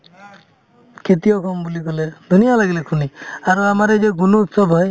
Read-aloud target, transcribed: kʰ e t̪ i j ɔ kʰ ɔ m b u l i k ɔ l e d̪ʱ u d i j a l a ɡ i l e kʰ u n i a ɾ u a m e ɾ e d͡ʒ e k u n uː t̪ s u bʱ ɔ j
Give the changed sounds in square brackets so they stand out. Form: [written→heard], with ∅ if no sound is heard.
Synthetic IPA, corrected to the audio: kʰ e t̪ i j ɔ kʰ ɔ m b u l i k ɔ l e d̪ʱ u [d→n] i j a l a ɡ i l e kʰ u n i a ɾ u a m [e→a] ɾ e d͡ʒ e [k→ɡ] u n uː t̪ s [u→ɔ] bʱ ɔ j